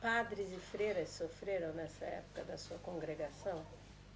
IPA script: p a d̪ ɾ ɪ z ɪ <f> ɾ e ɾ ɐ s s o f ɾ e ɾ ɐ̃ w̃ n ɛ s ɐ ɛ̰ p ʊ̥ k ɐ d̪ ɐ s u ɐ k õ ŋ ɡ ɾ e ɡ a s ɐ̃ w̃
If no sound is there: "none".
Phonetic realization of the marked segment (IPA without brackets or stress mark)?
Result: f